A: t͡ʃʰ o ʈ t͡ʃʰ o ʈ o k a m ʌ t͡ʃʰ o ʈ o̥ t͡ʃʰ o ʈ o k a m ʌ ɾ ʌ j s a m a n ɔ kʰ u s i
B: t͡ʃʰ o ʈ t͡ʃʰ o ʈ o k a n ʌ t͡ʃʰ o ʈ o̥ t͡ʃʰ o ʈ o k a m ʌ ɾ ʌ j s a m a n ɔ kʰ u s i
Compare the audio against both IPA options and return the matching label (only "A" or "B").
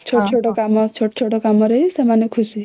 A